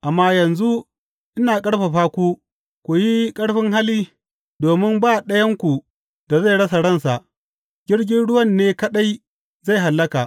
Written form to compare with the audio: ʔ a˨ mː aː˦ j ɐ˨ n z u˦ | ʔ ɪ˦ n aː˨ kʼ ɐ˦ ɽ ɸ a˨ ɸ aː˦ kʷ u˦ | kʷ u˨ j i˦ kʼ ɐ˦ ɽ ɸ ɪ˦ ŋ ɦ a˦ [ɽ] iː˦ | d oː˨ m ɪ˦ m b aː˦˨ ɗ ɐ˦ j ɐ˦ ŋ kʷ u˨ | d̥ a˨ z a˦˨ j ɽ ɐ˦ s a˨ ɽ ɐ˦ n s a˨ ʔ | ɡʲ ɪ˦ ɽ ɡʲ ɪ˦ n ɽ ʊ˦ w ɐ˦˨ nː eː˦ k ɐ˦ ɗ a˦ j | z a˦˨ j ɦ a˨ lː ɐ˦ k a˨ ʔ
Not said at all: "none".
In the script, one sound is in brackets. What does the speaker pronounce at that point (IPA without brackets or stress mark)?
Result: l